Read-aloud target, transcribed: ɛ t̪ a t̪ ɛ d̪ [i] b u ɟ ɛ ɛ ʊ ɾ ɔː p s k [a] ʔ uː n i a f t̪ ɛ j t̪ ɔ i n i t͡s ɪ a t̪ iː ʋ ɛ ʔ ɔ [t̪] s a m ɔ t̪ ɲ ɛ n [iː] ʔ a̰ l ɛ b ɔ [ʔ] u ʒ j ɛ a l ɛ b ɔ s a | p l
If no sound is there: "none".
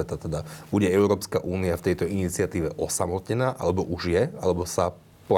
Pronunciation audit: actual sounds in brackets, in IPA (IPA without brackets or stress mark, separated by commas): a, a, none, aː, ʔ